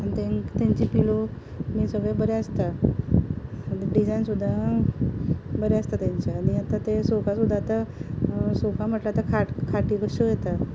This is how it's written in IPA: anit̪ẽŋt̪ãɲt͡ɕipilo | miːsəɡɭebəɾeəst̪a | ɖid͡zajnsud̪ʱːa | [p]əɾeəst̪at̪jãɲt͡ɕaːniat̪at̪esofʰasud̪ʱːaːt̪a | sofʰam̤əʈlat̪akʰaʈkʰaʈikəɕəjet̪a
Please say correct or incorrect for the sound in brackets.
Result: incorrect